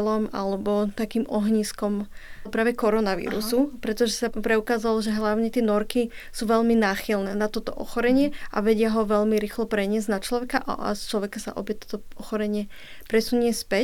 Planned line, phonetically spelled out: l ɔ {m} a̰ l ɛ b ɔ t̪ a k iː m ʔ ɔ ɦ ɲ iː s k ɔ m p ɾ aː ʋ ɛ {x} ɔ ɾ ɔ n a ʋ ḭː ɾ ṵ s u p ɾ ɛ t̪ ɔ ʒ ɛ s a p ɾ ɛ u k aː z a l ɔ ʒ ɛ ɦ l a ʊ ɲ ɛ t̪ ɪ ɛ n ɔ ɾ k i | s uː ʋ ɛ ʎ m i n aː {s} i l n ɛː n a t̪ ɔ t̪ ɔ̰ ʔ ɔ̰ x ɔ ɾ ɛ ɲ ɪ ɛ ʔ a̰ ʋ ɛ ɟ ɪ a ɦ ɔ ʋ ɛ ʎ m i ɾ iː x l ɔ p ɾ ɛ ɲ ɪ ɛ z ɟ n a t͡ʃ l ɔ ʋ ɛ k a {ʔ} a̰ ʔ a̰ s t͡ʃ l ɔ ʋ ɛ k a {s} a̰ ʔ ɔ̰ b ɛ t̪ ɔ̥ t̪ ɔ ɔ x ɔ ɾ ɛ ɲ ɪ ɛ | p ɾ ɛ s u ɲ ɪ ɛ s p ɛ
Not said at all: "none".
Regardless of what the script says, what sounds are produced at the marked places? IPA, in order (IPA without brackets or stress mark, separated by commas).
m, k, x, ʔ, s